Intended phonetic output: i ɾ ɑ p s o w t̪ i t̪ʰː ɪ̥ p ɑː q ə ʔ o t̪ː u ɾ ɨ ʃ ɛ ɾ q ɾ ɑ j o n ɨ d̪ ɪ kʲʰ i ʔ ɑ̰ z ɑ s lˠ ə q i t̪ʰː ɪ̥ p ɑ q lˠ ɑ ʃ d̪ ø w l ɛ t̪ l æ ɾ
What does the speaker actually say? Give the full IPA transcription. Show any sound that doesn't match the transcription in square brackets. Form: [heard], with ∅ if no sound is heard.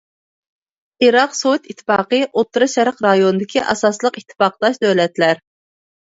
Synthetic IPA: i ɾ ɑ [q] s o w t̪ i t̪ʰː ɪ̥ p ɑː q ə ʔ o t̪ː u ɾ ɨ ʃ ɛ ɾ q ɾ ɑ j o n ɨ d̪ ɪ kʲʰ i ʔ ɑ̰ [s] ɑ s lˠ ə q i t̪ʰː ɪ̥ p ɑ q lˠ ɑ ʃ d̪ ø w l ɛ t̪ l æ ɾ